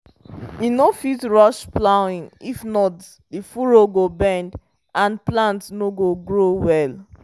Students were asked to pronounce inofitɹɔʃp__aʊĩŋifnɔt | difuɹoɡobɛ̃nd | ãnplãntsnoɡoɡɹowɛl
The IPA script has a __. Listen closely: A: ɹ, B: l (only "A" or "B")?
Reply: B